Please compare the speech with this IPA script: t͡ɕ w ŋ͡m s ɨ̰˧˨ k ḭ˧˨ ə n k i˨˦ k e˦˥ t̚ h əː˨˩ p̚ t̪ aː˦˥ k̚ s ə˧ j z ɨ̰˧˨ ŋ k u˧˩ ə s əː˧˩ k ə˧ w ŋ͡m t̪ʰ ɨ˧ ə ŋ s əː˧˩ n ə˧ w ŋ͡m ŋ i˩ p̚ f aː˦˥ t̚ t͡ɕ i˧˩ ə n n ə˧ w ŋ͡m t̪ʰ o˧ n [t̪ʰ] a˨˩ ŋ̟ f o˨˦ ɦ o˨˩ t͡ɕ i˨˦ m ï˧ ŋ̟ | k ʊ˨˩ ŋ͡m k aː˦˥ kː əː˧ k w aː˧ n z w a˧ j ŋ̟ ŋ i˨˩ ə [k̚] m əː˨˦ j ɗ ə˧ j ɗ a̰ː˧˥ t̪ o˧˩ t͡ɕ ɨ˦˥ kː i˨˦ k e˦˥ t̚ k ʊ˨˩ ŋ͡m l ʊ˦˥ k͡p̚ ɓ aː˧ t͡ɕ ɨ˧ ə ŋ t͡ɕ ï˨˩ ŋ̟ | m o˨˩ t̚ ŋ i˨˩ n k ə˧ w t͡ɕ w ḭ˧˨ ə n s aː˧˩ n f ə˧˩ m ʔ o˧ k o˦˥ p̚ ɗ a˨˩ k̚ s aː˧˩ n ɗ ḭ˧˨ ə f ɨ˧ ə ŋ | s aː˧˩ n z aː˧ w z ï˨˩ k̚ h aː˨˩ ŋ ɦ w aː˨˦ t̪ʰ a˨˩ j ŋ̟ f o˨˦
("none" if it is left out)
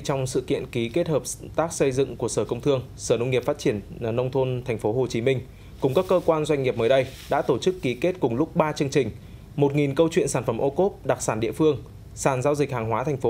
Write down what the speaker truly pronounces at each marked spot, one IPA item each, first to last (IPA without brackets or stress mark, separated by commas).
t̪ʰ, p̚